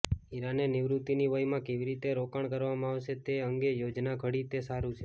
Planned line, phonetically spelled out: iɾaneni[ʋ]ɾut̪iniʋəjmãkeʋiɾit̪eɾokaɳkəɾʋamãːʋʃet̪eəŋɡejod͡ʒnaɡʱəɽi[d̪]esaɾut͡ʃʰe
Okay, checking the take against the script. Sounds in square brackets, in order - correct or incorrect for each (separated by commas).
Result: correct, incorrect